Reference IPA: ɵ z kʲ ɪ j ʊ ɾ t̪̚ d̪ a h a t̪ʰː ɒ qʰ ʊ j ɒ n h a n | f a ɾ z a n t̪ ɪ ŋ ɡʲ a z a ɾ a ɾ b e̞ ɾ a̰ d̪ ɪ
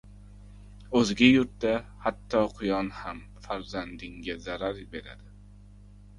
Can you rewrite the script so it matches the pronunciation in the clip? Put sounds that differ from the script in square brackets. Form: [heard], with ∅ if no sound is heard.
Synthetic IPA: ɵ z [ɡʲ] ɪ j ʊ ɾ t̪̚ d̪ a h a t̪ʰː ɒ qʰ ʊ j ɒ n h a [m] | f a ɾ z a n [d̪] ɪ ŋ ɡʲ a z a ɾ a ɾ b e̞ ɾ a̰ d̪ ɪ